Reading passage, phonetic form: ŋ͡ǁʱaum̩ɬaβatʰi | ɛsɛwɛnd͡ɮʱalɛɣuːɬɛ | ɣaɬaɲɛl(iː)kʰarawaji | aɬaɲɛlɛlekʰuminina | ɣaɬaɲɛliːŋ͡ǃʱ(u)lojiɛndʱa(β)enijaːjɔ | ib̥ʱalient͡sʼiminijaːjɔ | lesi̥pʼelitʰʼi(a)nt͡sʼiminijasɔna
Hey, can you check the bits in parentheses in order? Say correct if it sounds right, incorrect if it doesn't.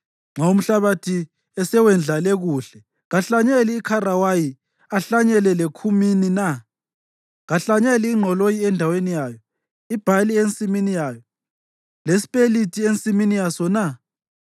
correct, incorrect: ɔ, incorrect: w, incorrect: e

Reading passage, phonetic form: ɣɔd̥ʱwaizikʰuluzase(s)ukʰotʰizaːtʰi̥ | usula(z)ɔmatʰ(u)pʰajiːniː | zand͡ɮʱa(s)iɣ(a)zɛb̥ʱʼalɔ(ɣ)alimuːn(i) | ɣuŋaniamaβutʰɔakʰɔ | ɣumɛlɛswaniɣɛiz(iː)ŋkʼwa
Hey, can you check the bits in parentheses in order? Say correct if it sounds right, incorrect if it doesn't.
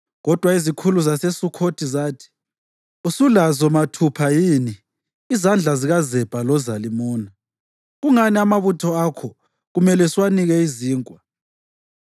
correct, correct, correct, incorrect: z, correct, incorrect: z, incorrect: a, correct

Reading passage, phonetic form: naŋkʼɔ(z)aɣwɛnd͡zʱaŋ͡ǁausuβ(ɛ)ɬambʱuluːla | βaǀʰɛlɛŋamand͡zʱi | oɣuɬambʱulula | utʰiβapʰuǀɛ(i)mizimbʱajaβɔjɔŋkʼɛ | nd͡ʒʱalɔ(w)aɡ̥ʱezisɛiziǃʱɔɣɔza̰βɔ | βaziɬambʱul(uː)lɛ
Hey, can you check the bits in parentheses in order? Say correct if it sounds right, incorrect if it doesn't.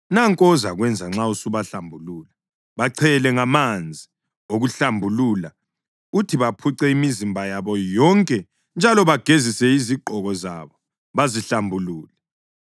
correct, incorrect: a, correct, incorrect: β, correct

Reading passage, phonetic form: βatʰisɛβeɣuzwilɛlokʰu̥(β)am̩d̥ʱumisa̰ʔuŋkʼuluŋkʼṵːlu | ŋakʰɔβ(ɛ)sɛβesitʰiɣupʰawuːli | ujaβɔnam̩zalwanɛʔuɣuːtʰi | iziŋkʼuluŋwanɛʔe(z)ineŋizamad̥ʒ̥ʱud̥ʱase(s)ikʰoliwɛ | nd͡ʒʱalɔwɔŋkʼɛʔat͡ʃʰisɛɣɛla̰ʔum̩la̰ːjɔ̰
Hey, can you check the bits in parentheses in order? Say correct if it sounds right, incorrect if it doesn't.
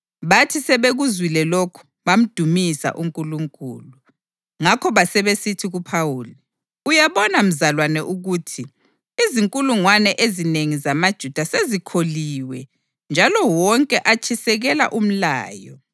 correct, incorrect: a, correct, incorrect: z

